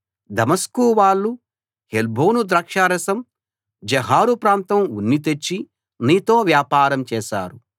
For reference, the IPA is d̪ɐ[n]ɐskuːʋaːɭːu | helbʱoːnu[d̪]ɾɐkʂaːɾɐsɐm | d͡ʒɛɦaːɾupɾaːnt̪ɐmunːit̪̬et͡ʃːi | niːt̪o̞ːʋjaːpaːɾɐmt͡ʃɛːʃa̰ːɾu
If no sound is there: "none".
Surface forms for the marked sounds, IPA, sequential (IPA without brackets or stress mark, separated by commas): m, d̪